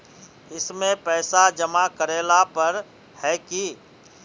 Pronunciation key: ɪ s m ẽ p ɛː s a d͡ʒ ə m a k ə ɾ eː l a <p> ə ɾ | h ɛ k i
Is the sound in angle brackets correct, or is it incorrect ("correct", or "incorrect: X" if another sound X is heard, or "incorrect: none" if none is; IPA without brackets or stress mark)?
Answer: correct